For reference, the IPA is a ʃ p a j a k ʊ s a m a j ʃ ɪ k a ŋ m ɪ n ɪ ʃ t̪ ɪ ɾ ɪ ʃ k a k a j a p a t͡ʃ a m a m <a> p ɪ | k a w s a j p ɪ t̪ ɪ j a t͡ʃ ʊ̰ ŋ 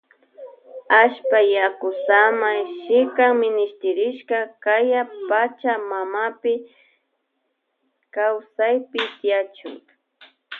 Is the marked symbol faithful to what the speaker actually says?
yes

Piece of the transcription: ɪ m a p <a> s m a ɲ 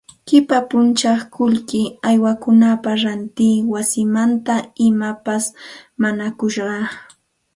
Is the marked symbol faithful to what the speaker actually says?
yes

